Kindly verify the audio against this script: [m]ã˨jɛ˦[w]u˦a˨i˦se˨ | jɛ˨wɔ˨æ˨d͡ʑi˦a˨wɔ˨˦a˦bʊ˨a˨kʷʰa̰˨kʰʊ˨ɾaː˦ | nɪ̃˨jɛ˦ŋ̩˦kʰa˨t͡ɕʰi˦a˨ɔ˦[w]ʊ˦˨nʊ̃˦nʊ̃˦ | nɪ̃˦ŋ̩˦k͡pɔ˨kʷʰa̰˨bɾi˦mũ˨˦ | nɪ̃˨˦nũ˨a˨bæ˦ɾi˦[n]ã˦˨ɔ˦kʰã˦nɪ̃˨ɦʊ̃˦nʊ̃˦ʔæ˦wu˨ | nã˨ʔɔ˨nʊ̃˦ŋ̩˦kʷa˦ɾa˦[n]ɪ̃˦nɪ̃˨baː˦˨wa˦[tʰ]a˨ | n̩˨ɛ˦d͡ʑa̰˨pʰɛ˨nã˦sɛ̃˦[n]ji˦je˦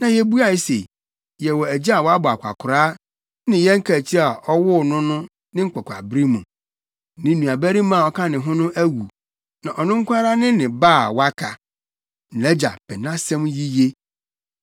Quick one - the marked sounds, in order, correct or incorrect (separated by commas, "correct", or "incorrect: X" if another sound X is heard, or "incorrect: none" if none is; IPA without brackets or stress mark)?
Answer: incorrect: n, incorrect: b, correct, incorrect: m, correct, incorrect: kʰ, incorrect: m